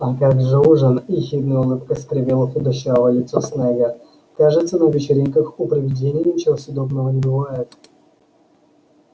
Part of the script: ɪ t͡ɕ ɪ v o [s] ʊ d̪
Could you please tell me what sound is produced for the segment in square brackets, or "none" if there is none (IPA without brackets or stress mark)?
s